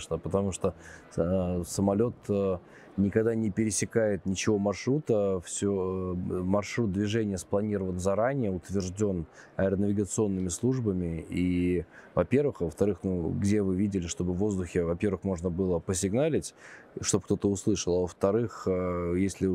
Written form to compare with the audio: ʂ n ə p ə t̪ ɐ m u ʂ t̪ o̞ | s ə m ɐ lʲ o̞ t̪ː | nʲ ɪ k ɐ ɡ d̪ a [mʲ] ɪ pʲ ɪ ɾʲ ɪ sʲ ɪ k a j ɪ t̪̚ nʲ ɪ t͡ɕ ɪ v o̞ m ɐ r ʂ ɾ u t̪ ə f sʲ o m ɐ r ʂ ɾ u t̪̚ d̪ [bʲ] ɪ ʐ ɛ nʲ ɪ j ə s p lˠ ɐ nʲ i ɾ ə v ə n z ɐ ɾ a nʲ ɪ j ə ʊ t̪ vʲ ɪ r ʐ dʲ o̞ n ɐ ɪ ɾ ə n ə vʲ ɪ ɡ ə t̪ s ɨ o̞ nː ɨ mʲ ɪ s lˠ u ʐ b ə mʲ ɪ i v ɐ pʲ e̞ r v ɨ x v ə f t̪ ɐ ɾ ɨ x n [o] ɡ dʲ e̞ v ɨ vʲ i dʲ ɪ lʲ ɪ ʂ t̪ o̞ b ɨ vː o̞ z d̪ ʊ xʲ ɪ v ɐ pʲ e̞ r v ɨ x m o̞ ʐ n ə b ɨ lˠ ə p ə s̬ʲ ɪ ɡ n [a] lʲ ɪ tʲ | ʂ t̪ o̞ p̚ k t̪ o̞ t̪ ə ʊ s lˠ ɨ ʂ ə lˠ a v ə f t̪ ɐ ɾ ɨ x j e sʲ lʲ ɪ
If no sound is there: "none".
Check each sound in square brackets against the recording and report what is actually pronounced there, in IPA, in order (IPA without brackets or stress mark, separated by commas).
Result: nʲ, vʲ, u, a